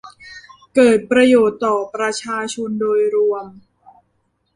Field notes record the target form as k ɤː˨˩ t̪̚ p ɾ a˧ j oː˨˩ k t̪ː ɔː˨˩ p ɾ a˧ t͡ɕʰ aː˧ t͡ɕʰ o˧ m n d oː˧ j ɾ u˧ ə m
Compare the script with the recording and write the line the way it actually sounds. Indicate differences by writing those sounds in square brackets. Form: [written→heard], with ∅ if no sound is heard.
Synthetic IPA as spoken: k ɤː˨˩ t̪̚ p ɾ a˧ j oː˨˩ [k→∅] t̪ː ɔː˨˩ p ɾ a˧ t͡ɕʰ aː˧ t͡ɕʰ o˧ [m→∅] n d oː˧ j ɾ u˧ ə m